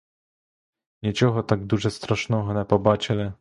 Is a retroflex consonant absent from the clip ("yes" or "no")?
no